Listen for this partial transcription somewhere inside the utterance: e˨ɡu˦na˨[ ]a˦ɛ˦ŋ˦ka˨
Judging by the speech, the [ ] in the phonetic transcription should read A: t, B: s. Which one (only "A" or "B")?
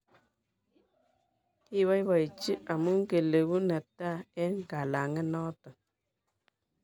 A